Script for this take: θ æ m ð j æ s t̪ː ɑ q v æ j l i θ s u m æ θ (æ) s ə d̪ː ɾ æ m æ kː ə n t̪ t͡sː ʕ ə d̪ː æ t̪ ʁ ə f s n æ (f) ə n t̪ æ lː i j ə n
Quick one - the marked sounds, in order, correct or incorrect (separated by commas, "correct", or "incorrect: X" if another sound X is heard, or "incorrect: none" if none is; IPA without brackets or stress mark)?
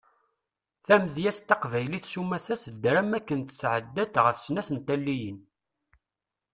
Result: correct, incorrect: θ